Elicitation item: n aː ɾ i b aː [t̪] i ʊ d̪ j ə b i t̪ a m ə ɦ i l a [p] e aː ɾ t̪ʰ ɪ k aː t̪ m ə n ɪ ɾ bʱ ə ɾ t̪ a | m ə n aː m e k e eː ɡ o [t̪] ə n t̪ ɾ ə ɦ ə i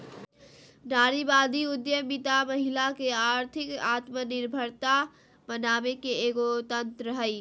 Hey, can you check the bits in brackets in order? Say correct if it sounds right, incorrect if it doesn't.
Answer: incorrect: d̪, incorrect: k, correct

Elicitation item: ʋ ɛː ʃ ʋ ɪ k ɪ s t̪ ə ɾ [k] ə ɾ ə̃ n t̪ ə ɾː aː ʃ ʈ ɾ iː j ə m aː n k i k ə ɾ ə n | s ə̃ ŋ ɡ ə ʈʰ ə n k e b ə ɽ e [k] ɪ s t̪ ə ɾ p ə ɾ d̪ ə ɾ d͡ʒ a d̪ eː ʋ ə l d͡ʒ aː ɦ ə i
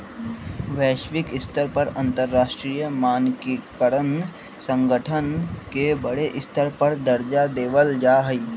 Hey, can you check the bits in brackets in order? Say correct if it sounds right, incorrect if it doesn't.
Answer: incorrect: p, incorrect: ʔ

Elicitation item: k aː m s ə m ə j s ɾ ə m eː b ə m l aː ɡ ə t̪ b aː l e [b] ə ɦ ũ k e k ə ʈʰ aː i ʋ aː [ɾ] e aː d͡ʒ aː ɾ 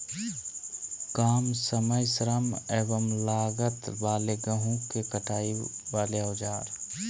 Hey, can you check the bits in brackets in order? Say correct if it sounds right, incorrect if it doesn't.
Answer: incorrect: ɡ, incorrect: l

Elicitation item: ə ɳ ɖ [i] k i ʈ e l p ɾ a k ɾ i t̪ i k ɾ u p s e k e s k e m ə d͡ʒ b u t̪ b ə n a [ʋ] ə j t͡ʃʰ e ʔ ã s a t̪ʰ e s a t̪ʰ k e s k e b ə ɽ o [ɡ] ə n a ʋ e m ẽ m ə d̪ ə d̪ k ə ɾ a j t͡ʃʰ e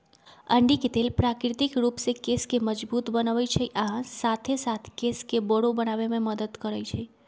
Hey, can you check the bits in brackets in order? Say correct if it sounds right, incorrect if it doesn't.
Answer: correct, correct, incorrect: b

